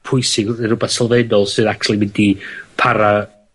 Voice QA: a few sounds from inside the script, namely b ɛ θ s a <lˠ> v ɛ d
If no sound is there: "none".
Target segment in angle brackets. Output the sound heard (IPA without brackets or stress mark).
lˠ